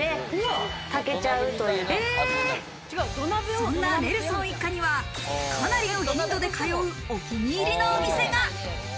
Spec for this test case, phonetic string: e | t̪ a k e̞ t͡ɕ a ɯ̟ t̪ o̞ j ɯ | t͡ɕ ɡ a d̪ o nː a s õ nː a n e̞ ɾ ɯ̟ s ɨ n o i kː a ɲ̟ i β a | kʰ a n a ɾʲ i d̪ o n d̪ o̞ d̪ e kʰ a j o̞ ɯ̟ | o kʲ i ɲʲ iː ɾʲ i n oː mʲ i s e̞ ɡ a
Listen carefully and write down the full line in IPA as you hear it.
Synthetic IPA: e | t̪ a k e̞ t͡ɕ a ɯ̟ t̪ o̞ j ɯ | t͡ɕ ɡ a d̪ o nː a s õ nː a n e̞ ɾ ɯ̟ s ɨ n o i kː a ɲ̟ i β a | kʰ a n a ɾʲ i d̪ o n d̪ o̞ d̪ e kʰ a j o̞ ɯ̟ | o kʲ i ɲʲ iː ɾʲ i n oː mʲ i s e̞ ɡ a